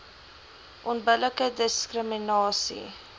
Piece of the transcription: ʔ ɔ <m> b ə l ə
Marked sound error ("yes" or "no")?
yes